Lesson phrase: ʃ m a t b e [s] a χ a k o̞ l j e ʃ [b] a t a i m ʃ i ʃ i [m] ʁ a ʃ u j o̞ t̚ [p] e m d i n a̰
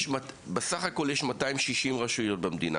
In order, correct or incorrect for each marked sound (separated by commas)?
correct, incorrect, correct, incorrect